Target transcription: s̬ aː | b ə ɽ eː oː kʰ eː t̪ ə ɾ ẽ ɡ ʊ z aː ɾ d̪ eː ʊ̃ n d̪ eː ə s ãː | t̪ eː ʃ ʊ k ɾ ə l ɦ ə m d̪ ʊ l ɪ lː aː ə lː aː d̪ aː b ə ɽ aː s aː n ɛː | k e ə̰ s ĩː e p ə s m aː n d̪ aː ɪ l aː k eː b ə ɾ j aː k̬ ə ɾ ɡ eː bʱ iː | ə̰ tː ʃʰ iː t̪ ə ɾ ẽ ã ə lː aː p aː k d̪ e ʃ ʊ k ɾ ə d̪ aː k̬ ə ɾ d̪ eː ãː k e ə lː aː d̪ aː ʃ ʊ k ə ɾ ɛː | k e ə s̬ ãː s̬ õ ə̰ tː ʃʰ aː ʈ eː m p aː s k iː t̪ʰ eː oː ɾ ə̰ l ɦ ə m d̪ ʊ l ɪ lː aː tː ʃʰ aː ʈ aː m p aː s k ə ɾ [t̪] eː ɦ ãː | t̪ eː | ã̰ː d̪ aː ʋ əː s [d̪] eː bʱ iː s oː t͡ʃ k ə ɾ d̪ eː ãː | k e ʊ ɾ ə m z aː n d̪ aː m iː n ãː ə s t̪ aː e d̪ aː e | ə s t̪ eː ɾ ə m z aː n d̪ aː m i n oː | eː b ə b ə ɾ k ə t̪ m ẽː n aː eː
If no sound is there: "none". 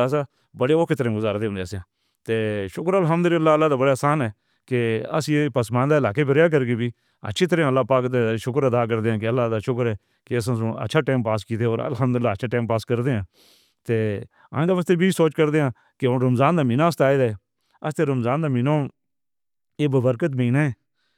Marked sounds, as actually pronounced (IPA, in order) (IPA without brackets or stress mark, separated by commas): d̪, t̪